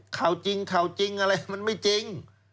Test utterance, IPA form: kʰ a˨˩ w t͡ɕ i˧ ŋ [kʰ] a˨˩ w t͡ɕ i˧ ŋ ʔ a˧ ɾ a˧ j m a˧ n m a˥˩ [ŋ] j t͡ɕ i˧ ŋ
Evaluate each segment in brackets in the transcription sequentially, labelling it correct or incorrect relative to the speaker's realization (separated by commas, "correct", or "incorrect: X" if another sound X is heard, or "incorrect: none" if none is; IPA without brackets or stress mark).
correct, incorrect: none